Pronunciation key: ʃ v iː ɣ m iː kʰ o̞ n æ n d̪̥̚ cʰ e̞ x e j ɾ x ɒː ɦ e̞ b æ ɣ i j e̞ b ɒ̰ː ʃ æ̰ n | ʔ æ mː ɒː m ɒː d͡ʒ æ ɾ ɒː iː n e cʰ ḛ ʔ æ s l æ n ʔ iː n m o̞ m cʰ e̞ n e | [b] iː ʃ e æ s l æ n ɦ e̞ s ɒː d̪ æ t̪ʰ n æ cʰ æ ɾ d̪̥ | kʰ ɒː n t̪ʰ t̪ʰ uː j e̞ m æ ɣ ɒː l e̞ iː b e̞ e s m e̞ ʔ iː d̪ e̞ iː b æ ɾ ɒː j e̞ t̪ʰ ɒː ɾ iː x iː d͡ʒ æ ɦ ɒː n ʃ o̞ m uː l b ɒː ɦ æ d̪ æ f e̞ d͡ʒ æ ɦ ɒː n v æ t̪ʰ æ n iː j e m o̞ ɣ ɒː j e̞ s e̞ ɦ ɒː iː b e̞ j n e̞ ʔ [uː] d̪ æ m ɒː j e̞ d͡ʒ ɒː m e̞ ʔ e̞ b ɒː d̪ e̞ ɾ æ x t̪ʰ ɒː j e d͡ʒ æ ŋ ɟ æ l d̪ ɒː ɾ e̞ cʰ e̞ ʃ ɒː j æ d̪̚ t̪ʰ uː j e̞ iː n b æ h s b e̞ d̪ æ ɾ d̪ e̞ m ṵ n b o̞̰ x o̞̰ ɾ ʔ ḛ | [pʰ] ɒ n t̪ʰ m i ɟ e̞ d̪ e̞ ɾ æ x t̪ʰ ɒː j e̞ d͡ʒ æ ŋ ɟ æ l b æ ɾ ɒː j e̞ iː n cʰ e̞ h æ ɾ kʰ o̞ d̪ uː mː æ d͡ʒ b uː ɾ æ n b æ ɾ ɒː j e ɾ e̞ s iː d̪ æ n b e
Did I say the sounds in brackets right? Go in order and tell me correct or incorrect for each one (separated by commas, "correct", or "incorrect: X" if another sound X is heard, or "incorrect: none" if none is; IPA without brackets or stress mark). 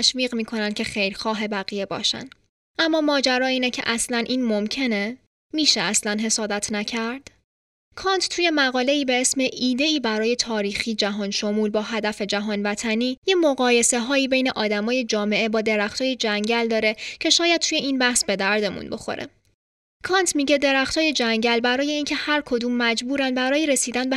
incorrect: m, incorrect: ɒː, incorrect: kʰ